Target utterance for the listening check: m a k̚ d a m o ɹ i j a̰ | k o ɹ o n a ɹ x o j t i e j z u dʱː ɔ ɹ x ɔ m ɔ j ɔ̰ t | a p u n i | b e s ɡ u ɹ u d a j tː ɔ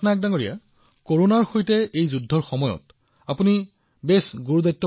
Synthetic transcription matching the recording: n a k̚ d a ŋ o ɹ i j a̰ | k o ɹ o n a ɹ x o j t ɛ e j z u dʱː ɔ ɹ x ɔ m ɔ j ɔ̰ t | a p u n i | b e s ɡ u ɹ u d a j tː ɔ